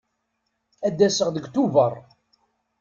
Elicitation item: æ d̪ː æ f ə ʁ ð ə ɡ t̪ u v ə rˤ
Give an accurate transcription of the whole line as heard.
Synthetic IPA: æ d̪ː æ s ə ʁ ð ə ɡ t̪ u v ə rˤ